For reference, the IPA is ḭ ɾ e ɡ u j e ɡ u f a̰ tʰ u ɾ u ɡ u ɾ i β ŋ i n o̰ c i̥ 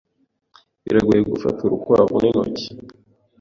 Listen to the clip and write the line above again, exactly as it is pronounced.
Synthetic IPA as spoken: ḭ ɾ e ɡ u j e ɡ u f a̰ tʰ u ɾ u k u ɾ a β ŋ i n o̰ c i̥